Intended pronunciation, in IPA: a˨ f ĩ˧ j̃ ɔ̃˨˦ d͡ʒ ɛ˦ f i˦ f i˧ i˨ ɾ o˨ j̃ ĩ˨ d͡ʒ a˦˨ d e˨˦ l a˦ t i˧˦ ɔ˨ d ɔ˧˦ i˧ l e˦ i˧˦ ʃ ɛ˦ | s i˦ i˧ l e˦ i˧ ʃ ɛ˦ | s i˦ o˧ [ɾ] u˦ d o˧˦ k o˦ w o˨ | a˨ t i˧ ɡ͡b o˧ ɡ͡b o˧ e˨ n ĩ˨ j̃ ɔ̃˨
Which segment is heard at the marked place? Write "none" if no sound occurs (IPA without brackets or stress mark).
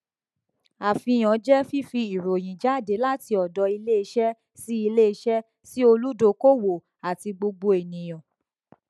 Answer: l